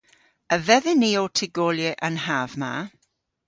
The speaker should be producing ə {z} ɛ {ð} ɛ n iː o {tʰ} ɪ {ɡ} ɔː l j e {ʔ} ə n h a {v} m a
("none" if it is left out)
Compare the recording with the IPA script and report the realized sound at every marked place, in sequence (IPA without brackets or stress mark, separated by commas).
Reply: v, ð, tʰ, ɡ, ʔ, v